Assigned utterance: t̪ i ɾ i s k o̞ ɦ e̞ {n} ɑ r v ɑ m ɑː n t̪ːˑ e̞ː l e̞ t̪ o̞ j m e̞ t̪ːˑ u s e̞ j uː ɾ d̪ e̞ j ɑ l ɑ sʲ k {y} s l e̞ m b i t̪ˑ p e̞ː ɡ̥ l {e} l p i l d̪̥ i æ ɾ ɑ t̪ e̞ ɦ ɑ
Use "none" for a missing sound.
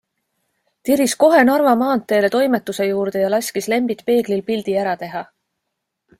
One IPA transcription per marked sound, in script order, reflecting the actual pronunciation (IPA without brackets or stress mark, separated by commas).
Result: n, i, i